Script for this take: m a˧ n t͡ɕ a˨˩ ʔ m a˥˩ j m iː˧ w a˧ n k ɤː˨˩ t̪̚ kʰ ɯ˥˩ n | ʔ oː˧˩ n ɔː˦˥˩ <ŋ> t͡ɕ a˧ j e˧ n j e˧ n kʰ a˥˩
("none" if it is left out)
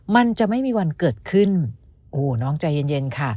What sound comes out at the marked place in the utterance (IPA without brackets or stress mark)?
ŋ